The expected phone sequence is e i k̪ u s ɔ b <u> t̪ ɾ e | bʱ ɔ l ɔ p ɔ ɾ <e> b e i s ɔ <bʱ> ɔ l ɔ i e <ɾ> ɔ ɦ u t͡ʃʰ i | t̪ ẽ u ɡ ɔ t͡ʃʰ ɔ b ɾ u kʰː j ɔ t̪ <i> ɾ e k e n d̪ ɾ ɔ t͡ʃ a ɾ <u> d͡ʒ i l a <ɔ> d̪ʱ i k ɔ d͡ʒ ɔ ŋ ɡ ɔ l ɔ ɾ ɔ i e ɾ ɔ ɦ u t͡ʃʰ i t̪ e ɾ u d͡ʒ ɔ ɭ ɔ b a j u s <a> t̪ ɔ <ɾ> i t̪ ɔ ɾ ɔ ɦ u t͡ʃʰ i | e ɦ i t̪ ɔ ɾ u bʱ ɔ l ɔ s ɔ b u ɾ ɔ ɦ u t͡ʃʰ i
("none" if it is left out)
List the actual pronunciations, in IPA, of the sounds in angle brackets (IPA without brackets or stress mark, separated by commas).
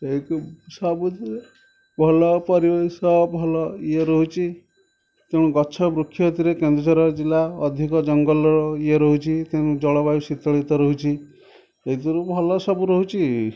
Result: u, i, bʱ, ɾ, i, ɔ, ɔ, i, ɭ